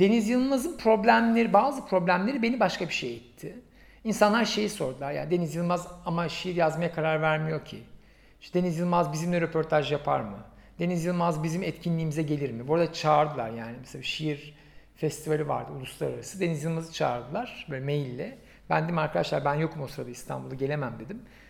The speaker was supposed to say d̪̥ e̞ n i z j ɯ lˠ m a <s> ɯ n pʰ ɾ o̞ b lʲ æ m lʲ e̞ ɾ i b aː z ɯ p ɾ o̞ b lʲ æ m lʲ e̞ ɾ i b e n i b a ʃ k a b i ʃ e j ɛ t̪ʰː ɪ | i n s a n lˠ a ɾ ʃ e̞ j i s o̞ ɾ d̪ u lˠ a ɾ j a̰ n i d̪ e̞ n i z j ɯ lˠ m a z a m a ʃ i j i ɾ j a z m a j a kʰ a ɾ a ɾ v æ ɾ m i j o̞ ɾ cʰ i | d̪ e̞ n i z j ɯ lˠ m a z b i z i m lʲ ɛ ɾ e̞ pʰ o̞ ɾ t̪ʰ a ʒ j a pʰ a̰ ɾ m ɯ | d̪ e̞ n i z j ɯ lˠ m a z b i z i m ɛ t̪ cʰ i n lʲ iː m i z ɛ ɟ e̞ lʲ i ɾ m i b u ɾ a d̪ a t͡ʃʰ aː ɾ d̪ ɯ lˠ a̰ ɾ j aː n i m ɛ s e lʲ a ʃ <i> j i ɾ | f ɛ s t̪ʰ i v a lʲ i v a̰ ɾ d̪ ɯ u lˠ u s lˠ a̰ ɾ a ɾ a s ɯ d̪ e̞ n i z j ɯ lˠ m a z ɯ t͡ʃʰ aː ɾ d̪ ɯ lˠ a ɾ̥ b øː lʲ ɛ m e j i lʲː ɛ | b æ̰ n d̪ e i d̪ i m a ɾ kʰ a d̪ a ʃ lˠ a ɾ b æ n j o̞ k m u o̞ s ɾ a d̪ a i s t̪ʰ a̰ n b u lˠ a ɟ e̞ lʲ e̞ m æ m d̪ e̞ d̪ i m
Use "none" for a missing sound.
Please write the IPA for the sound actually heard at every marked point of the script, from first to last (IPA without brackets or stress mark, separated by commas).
z, i